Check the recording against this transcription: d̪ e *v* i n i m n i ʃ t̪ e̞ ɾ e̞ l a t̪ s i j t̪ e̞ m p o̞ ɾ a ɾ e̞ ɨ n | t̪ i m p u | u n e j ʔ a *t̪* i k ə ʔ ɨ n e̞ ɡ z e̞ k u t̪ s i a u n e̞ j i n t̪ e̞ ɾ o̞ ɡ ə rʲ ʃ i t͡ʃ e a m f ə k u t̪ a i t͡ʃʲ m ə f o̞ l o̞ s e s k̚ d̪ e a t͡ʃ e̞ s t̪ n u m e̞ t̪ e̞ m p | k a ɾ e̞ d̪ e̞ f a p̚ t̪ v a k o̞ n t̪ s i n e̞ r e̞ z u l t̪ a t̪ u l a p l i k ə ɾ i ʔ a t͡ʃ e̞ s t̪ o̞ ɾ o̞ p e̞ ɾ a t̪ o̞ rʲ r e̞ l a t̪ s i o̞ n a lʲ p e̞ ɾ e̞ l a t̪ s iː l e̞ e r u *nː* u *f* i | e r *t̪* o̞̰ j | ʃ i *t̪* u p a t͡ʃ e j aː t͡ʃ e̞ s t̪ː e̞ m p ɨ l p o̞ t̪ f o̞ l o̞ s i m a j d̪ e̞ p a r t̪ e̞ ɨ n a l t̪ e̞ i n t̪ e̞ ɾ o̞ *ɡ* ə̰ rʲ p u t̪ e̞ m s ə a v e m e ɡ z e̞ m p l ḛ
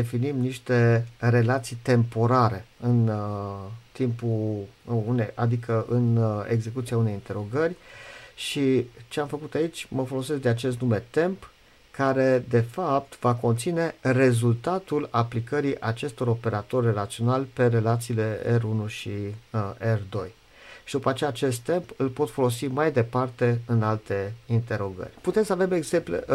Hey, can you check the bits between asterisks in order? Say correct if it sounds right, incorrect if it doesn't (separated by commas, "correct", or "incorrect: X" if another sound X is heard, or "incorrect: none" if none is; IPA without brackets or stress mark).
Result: incorrect: f, incorrect: d̪, incorrect: n, incorrect: ʃ, incorrect: d̪, incorrect: d̪, correct